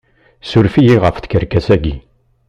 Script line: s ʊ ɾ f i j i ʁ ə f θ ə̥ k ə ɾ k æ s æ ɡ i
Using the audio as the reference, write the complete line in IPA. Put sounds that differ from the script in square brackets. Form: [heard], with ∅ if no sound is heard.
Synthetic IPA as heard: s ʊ ɾ f i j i ʁ ə f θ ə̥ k ə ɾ k æ s æ ɡ i